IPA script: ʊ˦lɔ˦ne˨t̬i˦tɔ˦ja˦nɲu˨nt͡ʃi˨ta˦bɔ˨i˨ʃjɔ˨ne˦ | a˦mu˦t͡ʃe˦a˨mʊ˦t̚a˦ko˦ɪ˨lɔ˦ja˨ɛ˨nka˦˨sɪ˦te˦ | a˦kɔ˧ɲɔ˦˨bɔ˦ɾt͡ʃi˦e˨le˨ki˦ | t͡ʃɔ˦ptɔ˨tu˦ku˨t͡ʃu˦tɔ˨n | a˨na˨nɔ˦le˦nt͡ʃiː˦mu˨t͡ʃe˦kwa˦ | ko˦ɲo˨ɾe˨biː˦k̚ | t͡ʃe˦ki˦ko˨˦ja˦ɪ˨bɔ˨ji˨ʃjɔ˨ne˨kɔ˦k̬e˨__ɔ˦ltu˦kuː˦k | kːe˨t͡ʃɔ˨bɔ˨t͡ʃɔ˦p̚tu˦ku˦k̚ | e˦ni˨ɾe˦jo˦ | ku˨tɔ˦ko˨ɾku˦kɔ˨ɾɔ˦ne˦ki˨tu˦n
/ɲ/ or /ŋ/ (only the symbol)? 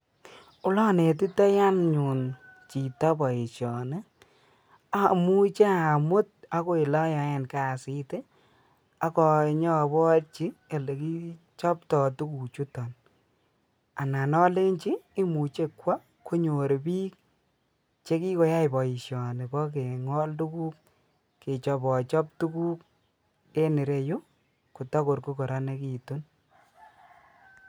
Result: ŋ